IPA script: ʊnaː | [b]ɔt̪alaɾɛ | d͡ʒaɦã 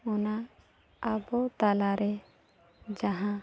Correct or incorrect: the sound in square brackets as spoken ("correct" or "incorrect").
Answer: correct